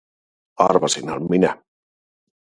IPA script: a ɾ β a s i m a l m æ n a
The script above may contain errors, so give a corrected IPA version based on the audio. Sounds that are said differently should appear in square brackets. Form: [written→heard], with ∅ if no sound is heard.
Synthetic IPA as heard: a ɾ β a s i [m→n] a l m [æ→i] n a